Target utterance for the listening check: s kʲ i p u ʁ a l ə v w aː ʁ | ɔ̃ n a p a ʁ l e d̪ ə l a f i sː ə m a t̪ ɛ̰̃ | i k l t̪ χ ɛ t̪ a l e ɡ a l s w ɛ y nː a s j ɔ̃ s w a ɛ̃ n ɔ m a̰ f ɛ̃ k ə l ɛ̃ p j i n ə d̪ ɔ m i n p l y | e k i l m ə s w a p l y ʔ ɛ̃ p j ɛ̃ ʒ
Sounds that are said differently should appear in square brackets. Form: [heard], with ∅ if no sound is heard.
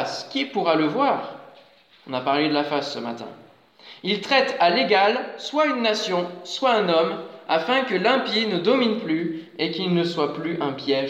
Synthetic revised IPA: s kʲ i p u ʁ a l ə v w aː ʁ | ɔ̃ n a p a ʁ l e d̪ ə l a f [a] sː ə m a t̪ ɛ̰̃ | i [∅] l t̪ χ ɛ t̪ a l e ɡ a l s w [a] y nː a s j ɔ̃ s w a ɛ̃ n ɔ m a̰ f ɛ̃ k ə l ɛ̃ p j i n ə d̪ ɔ m i n p l y | e k i l [n] ə s w a p l y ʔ ɛ̃ p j [ɛ] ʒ